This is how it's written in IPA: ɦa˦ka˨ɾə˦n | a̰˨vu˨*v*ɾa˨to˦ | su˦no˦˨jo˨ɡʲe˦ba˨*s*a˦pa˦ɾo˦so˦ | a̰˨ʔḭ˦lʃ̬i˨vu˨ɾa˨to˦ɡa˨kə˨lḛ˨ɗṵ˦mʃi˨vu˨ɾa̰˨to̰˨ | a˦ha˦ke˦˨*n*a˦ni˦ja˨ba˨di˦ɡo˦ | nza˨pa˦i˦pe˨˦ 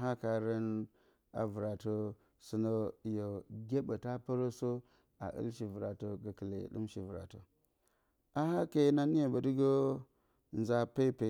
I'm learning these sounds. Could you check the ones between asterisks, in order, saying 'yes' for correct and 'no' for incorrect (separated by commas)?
no, no, yes